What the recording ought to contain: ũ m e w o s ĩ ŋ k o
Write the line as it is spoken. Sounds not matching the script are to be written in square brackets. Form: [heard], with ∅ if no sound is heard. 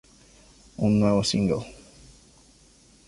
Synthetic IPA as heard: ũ [n] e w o s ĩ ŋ [ɡ] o